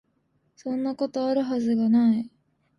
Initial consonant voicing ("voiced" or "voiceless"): voiceless